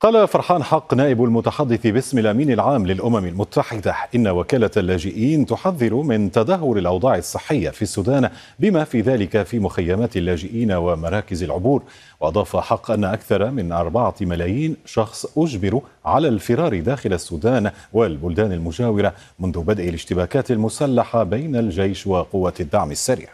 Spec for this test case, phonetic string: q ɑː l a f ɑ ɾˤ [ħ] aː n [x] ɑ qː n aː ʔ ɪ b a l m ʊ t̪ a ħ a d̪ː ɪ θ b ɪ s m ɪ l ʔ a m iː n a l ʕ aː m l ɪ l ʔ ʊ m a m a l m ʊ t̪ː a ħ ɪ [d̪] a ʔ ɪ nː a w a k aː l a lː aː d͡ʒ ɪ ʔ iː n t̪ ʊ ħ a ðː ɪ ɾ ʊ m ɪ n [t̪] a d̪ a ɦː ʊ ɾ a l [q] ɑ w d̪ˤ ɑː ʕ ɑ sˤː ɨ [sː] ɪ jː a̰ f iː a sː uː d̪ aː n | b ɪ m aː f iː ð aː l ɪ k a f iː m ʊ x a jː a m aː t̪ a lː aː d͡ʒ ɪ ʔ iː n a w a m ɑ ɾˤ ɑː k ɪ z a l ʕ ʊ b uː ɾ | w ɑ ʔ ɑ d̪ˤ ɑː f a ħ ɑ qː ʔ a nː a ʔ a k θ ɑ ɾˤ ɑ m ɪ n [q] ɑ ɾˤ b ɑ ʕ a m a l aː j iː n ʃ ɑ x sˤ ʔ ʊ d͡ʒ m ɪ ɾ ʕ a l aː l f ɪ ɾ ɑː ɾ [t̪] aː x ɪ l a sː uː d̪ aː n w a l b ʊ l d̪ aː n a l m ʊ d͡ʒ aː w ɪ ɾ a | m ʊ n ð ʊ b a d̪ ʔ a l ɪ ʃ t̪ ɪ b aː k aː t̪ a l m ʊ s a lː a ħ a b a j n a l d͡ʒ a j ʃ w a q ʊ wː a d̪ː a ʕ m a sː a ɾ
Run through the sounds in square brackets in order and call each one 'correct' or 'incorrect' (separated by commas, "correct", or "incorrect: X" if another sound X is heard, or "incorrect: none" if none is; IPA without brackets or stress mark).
correct, incorrect: ħ, correct, correct, incorrect: ʔ, incorrect: ħː, incorrect: ʔ, incorrect: d̪